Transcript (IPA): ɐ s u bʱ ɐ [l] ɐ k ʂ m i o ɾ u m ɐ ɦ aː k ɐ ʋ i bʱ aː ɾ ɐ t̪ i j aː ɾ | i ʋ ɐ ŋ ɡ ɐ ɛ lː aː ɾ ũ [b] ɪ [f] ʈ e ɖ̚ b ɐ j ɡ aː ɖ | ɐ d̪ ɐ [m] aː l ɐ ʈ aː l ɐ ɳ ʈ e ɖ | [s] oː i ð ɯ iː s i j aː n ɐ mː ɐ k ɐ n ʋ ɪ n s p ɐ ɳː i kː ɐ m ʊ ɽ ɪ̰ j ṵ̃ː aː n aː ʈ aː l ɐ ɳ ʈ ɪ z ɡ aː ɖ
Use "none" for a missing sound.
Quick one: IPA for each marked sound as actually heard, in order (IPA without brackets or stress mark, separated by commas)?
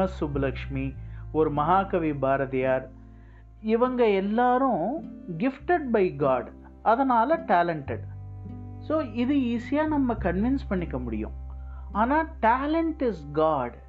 l, ɡ, f, n, s